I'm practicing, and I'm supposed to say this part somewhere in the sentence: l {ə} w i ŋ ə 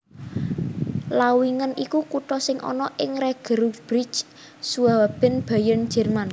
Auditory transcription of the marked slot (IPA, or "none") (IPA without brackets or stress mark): a